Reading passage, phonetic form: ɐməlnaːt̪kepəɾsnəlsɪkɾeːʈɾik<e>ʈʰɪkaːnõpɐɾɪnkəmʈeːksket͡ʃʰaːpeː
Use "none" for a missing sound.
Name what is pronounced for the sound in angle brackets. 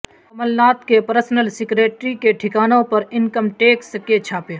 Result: e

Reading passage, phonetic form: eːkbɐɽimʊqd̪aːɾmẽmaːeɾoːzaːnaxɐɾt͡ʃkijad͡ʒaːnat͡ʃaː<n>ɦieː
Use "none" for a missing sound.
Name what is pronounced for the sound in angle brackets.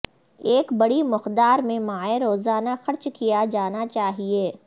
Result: none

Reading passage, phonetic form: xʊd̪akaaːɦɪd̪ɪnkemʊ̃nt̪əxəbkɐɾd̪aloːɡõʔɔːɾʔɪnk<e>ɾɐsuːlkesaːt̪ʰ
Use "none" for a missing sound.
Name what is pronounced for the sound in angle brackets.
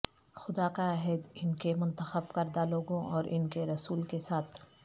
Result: e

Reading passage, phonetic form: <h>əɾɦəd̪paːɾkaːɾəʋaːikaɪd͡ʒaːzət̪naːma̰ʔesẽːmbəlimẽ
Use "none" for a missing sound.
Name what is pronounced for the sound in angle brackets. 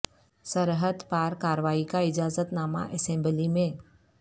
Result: s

